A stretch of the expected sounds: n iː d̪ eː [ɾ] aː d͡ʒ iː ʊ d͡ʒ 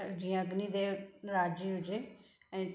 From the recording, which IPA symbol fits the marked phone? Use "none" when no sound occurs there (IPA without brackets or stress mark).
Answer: ɾ